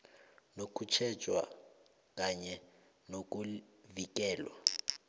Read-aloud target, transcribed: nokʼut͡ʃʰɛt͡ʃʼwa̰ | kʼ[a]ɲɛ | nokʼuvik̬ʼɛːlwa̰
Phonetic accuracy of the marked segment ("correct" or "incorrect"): correct